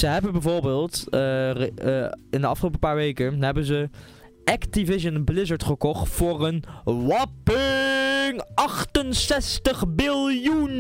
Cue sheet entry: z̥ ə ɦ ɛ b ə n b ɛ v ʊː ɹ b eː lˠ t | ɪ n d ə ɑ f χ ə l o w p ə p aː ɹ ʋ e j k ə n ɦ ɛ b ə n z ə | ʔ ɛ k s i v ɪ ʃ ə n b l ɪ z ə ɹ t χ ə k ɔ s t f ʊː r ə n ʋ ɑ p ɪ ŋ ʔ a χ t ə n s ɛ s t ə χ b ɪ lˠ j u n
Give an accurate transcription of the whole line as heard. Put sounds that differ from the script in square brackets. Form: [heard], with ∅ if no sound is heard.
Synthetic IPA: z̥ ə ɦ ɛ b ə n b ɛ v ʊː ɹ b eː lˠ t | ɪ n d ə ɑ f χ ə l o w p ə p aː ɹ ʋ e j k ə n ɦ ɛ b ə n z ə | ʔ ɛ k [t] i v ɪ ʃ ə n b l ɪ z ə ɹ t χ ə k ɔ [χ] t f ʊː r ə n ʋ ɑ p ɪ ŋ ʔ [ɑ] χ t ə n s ɛ s t ə χ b ɪ lˠ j u n